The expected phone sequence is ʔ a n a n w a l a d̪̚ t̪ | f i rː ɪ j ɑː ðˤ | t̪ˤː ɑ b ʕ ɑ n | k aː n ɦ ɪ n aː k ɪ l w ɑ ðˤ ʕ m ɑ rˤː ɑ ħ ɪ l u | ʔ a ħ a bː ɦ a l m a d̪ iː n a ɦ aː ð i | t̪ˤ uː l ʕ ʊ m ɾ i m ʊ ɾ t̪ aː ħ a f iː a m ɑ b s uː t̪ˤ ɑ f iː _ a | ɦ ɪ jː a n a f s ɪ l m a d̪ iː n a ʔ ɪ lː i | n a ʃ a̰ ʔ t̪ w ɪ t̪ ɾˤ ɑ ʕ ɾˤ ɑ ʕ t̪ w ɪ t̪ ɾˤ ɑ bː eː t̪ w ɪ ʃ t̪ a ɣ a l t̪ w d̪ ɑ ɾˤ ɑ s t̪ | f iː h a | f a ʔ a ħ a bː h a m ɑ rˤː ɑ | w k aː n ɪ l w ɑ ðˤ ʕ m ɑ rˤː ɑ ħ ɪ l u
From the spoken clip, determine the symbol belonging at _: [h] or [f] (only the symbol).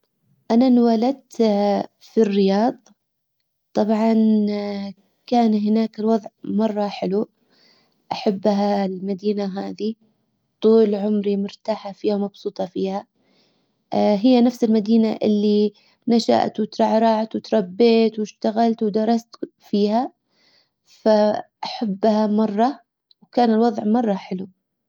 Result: h